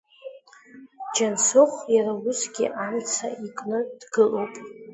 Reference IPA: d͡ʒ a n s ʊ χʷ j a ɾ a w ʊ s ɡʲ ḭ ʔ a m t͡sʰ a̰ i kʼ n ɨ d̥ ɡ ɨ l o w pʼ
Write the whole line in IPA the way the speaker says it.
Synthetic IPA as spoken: d͡ʒ a n s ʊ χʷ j a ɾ a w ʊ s ɡʲ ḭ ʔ a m t͡sʰ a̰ i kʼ n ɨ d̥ ɡ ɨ l o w pʼ